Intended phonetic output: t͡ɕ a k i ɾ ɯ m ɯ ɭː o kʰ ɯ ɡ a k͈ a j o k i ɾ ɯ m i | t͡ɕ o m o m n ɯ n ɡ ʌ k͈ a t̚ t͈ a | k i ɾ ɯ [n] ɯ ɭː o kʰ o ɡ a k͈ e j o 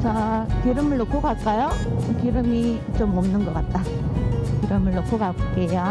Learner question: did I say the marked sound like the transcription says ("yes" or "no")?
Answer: no